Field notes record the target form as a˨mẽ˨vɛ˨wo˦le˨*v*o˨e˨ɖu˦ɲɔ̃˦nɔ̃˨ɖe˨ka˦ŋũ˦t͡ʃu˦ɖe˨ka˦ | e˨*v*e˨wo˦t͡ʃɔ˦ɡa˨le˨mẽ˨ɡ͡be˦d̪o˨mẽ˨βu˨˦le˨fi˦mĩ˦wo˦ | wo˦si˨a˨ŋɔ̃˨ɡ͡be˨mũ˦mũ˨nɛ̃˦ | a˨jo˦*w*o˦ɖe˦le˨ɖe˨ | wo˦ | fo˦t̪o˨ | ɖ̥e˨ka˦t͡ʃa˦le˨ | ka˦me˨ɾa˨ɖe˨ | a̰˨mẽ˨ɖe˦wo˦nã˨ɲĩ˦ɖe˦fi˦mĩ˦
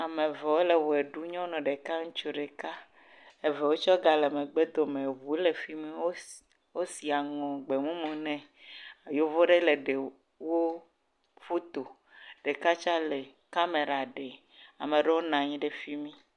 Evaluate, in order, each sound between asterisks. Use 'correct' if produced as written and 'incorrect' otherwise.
incorrect: w, correct, incorrect: v

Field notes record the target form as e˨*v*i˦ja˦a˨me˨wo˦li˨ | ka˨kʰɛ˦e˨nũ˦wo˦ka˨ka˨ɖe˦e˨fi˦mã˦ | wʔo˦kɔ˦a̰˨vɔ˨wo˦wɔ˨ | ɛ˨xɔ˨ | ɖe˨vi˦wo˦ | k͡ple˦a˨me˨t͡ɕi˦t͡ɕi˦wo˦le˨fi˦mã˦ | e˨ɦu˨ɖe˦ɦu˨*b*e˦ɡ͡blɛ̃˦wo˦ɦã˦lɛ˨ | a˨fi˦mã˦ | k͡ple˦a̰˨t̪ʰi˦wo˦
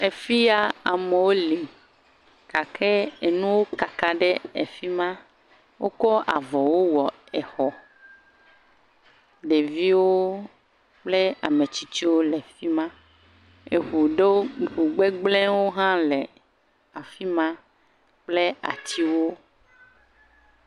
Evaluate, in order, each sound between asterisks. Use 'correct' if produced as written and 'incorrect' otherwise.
incorrect: f, incorrect: ɡ͡b

